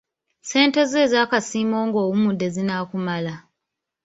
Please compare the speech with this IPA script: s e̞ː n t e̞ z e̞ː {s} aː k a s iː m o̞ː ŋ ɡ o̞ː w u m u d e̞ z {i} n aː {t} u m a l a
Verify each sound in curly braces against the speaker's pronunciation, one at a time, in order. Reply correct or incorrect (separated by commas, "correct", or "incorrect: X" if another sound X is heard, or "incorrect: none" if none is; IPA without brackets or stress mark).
incorrect: z, correct, incorrect: k